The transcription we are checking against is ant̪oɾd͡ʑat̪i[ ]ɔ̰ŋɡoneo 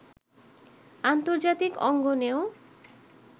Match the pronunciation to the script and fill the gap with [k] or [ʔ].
k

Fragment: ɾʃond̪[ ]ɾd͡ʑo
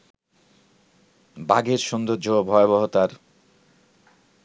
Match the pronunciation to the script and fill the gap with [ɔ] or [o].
o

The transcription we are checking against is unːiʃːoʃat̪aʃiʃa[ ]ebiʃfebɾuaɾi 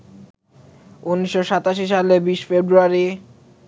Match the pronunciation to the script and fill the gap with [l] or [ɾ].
l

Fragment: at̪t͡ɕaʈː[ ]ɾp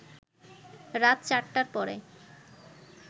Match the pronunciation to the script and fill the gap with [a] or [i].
a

